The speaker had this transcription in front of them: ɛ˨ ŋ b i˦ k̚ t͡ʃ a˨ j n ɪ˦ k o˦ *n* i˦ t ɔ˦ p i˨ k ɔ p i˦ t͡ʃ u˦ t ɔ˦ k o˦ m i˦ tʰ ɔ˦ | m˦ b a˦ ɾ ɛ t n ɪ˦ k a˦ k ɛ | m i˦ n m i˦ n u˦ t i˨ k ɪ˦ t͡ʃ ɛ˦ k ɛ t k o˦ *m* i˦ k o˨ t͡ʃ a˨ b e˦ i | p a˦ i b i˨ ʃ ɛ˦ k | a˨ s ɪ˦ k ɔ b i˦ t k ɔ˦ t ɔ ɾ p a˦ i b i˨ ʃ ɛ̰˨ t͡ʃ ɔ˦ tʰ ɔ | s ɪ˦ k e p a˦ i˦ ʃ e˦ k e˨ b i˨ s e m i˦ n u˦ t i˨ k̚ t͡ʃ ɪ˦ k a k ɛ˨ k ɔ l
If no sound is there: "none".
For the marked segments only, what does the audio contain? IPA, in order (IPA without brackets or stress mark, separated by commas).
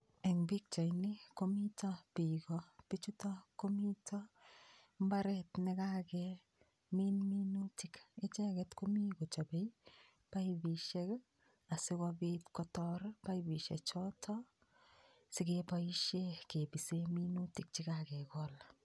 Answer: m, m